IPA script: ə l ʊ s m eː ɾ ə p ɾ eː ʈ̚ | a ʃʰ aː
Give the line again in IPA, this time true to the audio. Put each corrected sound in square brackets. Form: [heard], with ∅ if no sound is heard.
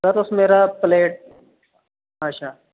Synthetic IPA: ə [ɾ] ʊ s m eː ɾ [a] p [l] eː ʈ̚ | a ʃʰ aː